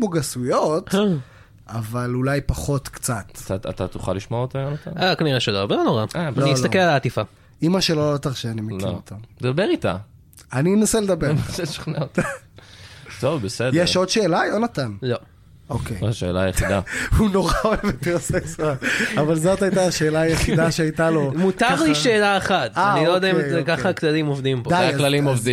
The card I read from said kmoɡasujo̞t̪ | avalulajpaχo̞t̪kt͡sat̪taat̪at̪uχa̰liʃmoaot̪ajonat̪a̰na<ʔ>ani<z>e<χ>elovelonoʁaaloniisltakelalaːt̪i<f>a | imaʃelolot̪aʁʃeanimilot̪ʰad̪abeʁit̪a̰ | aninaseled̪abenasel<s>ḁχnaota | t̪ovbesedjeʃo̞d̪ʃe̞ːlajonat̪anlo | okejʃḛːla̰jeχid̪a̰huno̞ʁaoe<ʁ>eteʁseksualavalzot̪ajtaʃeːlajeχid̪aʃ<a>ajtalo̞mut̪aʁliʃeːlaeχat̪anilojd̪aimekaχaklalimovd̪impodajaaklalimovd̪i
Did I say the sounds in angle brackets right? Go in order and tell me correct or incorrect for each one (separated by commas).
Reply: incorrect, incorrect, incorrect, correct, incorrect, incorrect, incorrect